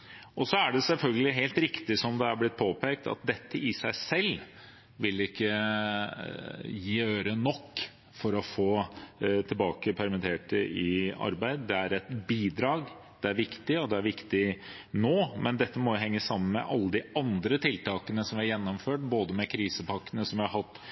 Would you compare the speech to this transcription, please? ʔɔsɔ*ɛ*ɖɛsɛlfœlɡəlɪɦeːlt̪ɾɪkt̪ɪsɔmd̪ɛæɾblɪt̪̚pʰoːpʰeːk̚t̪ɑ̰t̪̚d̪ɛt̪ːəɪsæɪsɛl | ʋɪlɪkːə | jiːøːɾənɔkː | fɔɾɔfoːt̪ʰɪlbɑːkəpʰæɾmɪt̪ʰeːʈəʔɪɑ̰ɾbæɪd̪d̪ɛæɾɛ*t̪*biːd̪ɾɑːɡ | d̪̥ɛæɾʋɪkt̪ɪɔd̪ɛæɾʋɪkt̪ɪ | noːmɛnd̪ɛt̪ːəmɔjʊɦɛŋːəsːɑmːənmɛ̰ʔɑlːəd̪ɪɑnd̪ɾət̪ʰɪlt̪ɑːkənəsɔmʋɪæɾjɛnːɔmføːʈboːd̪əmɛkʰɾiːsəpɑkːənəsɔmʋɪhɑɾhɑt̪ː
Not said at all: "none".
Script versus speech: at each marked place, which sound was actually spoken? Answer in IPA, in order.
æ, t̪

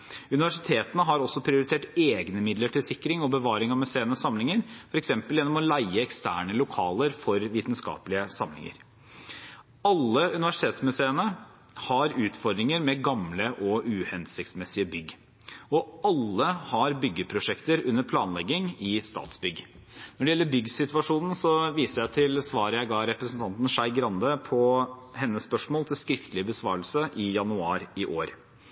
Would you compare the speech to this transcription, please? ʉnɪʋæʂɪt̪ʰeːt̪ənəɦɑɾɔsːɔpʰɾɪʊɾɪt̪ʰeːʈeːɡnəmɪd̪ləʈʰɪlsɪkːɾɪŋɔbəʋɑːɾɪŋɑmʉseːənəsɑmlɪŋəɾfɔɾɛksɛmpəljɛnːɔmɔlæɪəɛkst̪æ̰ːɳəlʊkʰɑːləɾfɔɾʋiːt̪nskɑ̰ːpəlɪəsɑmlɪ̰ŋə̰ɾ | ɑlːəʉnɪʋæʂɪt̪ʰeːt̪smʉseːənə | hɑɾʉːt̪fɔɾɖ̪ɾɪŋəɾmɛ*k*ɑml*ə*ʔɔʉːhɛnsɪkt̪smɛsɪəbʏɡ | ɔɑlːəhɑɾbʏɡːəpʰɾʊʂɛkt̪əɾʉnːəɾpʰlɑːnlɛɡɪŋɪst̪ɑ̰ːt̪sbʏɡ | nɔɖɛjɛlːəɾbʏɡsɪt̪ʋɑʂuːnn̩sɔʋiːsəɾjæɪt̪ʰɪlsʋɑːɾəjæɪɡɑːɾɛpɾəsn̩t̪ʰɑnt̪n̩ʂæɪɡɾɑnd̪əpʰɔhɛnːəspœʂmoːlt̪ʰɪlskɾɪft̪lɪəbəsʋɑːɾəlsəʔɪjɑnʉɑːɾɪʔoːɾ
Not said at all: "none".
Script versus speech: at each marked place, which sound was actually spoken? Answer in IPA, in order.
ɡ, ə

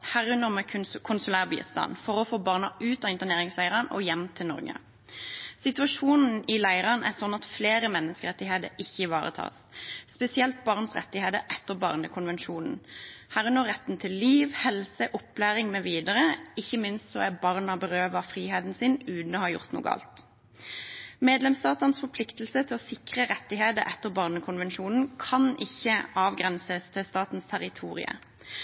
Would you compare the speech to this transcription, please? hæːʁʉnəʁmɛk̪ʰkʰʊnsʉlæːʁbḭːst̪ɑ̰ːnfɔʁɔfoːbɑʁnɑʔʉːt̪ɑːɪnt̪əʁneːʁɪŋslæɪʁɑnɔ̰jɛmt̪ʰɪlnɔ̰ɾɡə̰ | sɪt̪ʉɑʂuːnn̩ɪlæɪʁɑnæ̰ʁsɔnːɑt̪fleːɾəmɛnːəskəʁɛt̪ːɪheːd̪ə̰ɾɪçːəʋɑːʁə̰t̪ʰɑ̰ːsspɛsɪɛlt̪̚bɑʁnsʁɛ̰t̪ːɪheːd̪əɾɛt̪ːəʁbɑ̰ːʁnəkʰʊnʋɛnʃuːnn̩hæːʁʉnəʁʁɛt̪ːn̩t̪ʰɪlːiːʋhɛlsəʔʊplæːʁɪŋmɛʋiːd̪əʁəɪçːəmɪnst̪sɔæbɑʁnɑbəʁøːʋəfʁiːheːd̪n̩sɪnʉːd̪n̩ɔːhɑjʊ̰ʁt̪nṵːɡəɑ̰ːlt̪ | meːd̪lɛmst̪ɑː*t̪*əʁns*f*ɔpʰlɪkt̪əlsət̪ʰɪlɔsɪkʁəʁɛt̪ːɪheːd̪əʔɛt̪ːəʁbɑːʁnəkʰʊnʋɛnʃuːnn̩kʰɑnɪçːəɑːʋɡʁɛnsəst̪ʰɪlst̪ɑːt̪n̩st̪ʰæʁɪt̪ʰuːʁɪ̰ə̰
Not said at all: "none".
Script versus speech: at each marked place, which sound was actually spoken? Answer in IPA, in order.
t̪, f

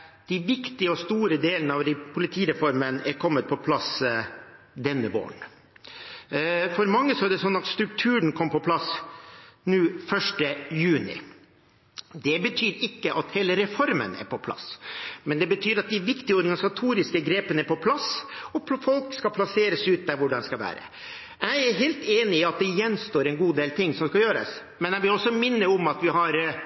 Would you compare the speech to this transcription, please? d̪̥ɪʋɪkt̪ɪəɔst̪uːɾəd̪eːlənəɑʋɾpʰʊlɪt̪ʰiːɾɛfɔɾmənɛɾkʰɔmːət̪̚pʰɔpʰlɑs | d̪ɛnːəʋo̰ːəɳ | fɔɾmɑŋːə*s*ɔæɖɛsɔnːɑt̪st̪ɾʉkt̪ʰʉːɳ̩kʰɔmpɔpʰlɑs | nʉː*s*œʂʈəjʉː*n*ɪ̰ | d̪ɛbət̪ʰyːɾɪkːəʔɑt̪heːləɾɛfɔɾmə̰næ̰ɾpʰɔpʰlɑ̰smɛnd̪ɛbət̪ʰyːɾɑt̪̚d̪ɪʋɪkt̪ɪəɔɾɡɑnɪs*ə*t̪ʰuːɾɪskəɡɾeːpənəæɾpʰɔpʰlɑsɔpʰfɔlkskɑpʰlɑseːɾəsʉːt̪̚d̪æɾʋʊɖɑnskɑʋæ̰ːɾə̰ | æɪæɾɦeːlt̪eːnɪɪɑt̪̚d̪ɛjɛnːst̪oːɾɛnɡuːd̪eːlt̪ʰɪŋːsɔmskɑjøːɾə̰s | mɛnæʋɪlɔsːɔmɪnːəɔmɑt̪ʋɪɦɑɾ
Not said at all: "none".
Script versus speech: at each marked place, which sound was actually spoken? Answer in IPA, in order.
s, f, n, ɑ

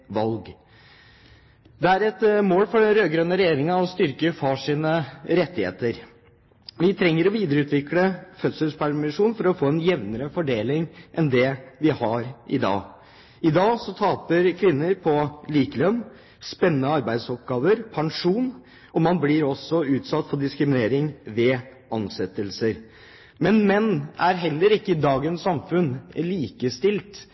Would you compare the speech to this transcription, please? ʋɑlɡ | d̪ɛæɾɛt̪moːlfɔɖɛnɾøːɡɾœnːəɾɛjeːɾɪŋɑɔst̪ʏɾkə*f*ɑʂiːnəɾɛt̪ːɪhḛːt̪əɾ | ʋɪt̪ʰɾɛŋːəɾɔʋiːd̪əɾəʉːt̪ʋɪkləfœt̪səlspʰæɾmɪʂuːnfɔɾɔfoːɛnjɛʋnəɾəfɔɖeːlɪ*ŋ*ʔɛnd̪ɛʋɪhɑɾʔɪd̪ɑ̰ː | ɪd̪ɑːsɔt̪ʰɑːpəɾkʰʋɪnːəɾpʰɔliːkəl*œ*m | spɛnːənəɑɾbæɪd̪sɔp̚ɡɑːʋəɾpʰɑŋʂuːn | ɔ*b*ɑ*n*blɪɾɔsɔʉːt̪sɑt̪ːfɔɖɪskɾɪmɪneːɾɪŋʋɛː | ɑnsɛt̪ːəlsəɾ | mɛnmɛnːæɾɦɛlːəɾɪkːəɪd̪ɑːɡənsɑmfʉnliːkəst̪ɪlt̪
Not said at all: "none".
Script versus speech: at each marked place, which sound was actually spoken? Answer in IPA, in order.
f, ŋ, œ, m, n

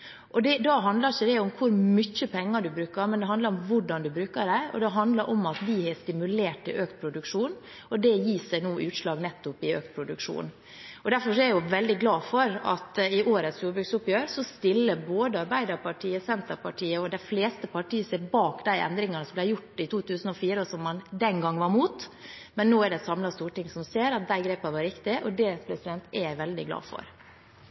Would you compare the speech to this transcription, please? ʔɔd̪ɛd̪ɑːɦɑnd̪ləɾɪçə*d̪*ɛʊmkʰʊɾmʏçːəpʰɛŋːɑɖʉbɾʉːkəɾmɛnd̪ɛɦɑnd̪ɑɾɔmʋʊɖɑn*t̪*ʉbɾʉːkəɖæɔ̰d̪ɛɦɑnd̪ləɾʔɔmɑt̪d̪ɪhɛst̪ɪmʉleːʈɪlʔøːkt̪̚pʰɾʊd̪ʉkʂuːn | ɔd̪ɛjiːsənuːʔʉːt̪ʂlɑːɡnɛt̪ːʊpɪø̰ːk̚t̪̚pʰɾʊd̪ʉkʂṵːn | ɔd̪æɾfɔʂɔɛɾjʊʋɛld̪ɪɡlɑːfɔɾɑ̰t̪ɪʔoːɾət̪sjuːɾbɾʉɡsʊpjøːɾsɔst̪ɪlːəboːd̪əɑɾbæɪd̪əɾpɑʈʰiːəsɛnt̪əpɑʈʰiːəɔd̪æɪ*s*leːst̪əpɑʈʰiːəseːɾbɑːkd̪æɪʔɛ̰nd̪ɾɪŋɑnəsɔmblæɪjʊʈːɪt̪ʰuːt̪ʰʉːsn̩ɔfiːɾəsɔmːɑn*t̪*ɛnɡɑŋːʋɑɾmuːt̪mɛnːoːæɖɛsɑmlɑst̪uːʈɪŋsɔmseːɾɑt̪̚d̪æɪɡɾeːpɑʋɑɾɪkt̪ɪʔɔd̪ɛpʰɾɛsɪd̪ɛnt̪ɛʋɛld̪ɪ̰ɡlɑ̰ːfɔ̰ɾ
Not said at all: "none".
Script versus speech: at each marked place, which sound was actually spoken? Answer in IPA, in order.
d̪, d̪, f, d̪

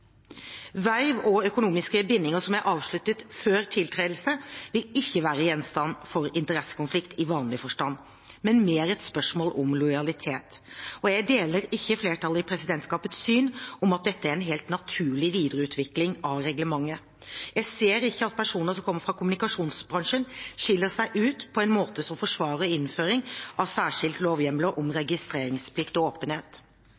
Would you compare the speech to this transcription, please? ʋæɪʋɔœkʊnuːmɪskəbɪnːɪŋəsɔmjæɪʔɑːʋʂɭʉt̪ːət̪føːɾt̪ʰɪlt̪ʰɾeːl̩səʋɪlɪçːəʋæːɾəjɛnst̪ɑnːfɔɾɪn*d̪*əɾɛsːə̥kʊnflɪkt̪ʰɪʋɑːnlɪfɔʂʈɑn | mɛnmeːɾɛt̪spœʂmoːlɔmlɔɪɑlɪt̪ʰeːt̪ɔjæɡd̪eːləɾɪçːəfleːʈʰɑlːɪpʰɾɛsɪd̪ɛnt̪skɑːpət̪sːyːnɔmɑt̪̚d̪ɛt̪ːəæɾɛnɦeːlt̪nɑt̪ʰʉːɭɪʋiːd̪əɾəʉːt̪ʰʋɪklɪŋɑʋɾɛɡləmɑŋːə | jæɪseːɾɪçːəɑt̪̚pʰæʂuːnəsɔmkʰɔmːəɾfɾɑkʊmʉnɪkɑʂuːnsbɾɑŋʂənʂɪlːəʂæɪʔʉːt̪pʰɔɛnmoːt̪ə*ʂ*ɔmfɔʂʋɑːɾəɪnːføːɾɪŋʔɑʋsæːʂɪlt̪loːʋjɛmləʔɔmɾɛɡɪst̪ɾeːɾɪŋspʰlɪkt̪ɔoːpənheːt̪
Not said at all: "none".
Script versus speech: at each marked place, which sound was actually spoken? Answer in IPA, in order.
t̪, s

